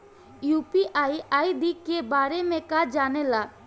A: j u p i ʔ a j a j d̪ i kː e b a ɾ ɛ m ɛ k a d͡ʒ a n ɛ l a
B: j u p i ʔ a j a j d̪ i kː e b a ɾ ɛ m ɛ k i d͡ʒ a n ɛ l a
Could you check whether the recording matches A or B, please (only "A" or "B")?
A